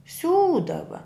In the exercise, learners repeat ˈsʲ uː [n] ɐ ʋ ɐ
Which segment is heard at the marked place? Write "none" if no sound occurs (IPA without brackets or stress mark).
d